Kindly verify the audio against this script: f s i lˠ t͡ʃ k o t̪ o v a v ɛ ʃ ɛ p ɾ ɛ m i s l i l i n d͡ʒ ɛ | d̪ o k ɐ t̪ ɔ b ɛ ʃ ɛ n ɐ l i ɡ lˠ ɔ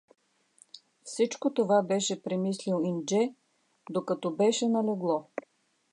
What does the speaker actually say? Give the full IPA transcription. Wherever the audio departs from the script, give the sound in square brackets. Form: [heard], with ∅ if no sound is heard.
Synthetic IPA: f s i [∅] t͡ʃ k o t̪ o v a [b] ɛ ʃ ɛ p ɾ ɛ m i s l i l i n d͡ʒ ɛ | d̪ o k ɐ t̪ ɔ b ɛ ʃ ɛ n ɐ l [ɛ] ɡ lˠ ɔ